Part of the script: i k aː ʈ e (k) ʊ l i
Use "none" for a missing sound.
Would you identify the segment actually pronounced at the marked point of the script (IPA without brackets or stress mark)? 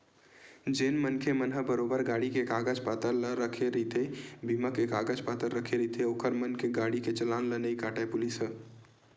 p